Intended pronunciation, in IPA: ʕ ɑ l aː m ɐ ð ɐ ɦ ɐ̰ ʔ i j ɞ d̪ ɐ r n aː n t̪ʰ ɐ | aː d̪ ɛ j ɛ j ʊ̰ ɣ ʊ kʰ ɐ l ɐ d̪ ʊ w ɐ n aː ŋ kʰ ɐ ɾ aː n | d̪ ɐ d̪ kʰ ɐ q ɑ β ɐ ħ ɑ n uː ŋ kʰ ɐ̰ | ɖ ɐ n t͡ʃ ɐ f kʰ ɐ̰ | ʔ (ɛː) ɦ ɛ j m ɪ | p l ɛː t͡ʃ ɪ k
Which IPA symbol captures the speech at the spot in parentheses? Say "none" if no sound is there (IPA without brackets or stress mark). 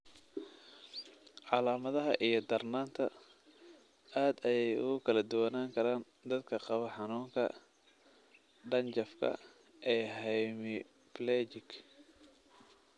ɛː